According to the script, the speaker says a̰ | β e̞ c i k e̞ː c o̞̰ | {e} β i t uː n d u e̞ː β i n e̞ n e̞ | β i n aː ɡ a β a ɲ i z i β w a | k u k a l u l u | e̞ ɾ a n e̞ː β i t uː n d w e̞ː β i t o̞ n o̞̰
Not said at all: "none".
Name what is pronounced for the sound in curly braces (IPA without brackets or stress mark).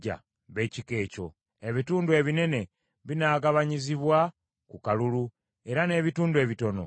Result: e